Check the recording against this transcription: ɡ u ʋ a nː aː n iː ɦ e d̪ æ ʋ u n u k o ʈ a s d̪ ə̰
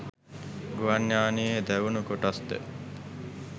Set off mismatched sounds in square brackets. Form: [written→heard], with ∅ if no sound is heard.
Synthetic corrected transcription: ɡ u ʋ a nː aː n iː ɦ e d̪ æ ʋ u n u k o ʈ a s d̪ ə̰